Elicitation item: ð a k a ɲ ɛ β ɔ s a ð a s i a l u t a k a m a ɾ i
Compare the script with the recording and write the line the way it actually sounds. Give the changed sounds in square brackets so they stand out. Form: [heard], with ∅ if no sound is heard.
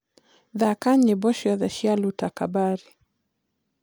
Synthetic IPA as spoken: ð a k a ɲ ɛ [b] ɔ [ʃ] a ð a [ʃ] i a l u t a k a [b] a ɾ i